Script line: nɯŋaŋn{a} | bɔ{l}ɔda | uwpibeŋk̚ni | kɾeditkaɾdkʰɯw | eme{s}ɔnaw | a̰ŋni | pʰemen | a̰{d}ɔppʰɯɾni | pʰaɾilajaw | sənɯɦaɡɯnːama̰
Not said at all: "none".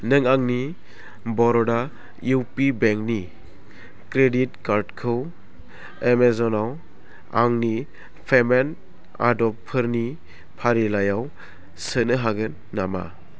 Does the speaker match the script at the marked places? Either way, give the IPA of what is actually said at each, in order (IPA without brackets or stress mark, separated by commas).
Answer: i, ɾ, z, d